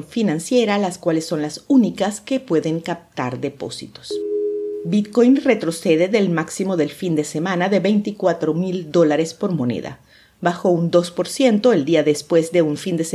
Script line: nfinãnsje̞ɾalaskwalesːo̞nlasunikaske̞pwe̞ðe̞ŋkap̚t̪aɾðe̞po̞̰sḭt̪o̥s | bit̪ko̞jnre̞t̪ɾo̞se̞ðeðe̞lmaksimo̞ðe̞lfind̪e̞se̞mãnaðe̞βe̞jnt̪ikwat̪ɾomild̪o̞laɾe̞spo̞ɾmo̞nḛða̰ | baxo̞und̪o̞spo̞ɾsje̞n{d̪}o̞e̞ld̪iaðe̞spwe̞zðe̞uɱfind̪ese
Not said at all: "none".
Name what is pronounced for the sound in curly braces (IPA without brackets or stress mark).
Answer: t̪